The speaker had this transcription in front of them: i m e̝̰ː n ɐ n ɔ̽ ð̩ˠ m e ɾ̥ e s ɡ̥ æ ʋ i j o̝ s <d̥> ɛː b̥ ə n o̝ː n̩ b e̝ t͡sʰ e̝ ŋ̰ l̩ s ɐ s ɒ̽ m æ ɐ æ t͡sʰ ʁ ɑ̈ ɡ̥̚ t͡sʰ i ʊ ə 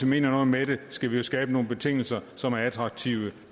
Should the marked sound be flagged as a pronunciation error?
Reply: yes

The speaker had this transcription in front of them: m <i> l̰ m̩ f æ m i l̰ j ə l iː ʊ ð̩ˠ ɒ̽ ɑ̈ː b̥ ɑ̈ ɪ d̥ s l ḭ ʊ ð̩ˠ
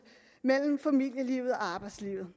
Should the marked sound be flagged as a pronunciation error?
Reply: yes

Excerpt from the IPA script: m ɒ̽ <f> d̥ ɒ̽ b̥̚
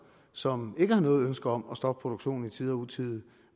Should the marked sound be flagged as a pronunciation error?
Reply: yes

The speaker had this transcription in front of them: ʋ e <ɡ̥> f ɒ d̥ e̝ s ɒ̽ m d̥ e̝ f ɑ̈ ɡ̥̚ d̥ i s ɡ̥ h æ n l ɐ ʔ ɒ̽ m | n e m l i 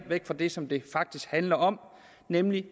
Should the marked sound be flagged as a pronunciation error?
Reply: no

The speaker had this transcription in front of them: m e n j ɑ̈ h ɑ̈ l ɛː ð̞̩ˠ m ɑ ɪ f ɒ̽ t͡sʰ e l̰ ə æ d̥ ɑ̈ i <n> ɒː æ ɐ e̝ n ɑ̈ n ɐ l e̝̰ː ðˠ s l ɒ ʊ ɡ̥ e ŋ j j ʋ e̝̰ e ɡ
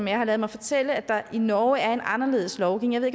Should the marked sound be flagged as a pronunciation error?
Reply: no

